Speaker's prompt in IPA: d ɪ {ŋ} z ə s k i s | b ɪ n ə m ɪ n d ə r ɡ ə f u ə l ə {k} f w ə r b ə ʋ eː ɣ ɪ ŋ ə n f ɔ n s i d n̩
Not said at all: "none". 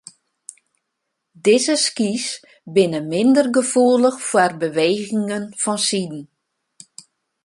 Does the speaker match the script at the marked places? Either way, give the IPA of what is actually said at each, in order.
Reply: none, x

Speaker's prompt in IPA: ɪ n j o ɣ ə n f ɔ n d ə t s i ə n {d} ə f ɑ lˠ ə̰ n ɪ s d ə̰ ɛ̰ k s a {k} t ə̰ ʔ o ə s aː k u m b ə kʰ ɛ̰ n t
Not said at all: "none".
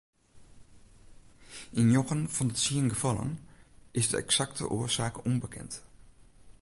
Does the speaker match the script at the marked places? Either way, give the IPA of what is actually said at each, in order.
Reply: ɡ, k

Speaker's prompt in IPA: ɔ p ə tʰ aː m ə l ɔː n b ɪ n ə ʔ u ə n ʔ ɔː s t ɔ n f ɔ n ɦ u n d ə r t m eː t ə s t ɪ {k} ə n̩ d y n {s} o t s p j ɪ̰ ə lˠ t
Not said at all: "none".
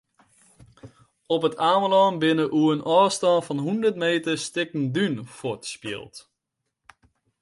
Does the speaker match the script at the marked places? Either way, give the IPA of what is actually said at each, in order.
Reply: k, f

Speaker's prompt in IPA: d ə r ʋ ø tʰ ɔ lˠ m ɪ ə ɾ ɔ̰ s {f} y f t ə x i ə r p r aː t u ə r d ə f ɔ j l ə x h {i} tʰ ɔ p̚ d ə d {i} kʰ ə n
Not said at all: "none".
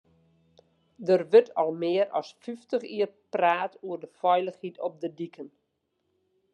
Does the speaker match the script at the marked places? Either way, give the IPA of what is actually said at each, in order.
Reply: f, i, i

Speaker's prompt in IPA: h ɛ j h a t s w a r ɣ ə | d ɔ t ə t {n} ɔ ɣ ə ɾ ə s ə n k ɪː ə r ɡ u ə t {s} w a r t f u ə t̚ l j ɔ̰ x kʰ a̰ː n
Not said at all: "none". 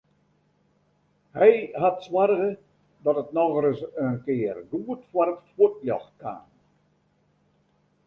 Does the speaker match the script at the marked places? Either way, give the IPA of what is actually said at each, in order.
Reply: n, f

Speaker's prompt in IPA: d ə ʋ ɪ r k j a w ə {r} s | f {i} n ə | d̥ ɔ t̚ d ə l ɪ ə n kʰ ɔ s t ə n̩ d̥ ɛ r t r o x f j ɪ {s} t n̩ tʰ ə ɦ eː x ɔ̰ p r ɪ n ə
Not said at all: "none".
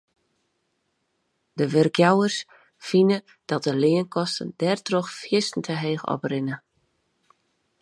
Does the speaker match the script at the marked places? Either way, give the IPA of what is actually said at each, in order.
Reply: r, i, s

